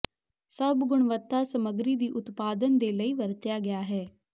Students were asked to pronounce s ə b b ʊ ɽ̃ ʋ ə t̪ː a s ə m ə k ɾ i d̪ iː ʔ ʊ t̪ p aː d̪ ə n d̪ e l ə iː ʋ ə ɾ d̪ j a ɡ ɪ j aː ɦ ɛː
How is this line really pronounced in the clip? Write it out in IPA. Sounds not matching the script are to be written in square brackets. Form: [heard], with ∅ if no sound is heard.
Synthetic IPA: s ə b [ɡ] ʊ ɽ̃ ʋ ə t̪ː a s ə m ə [ɡ] ɾ i d̪ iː ʔ ʊ t̪ p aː d̪ ə n d̪ e l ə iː ʋ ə ɾ [t̪] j a ɡ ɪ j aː ɦ ɛː